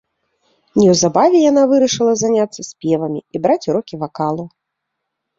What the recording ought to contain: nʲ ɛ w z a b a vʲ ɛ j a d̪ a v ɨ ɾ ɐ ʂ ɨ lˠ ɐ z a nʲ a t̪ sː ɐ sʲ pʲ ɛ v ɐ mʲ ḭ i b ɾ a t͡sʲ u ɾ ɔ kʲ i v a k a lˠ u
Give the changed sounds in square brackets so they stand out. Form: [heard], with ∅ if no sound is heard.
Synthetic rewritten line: nʲ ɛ w z a b a vʲ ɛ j a [n̪] a v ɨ ɾ ɐ ʂ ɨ lˠ ɐ z a nʲ a t̪ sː ɐ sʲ pʲ ɛ v ɐ mʲ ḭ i b ɾ a t͡sʲ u ɾ ɔ kʲ i v a k a lˠ u